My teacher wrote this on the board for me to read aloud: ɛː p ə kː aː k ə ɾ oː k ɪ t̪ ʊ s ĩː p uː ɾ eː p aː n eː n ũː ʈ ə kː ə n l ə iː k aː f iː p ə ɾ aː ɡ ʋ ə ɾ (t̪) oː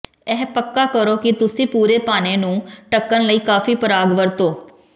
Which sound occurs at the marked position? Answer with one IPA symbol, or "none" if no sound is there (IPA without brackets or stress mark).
t̪